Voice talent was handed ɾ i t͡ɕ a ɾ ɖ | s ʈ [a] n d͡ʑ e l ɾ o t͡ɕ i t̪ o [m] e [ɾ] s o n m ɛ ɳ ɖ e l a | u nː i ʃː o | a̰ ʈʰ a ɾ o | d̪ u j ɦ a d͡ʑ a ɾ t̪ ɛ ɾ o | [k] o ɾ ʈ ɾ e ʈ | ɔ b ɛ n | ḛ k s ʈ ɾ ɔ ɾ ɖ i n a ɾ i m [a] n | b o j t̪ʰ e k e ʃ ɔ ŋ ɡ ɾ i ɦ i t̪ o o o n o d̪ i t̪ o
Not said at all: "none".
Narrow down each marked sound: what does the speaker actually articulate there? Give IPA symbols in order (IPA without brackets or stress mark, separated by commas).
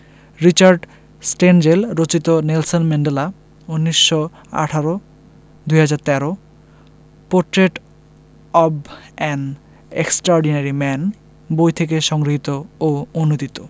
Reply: e, n, l, p, ɛ